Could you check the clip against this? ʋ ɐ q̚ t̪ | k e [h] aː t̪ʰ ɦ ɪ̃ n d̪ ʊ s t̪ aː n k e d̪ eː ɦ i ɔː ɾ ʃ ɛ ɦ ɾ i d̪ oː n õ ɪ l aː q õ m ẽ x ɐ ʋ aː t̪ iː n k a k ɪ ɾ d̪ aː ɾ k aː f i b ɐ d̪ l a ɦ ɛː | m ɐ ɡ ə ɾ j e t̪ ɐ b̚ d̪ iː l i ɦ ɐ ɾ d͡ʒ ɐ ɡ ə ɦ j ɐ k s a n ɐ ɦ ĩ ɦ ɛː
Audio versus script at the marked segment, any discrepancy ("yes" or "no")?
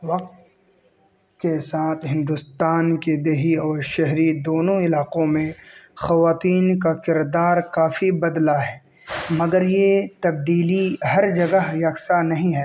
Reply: yes